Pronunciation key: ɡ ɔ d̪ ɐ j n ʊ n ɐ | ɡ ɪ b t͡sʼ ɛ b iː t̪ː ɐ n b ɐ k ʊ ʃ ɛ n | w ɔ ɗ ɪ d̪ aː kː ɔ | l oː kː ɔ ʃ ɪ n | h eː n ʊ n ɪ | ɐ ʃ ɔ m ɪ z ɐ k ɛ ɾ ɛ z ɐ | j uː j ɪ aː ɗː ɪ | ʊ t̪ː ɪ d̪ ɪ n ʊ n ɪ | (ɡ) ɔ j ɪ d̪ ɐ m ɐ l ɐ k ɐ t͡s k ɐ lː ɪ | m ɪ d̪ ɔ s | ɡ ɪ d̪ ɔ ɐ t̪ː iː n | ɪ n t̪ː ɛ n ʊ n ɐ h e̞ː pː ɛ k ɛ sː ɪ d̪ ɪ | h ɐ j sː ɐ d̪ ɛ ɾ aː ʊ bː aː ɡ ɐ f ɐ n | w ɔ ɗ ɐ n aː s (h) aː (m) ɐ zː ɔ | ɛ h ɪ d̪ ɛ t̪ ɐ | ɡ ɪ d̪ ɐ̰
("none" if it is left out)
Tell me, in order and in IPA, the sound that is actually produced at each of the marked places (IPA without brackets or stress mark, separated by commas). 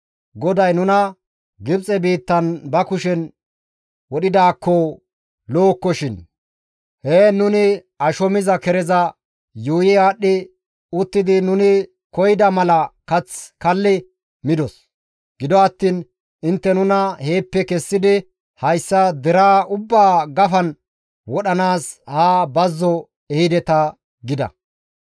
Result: k, h, b